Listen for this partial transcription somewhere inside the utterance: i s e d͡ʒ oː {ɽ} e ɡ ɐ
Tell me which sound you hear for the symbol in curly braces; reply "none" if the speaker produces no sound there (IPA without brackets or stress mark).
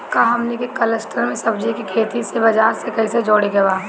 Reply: ɽ